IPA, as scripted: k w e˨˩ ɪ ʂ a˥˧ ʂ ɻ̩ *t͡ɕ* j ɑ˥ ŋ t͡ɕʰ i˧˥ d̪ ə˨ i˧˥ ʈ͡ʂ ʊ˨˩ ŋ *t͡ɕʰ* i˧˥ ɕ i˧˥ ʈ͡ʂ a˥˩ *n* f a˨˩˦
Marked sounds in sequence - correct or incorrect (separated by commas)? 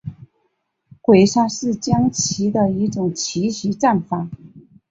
correct, correct, correct